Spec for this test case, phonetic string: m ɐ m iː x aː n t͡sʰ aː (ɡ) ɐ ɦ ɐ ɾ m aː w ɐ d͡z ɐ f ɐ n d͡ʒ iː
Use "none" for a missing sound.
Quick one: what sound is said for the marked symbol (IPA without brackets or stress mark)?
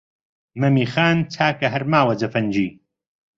k